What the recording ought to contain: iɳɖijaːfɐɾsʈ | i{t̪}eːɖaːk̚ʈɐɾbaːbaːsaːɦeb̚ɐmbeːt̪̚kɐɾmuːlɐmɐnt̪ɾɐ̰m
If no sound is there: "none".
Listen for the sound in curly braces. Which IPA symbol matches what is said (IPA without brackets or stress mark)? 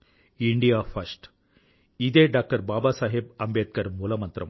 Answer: d̪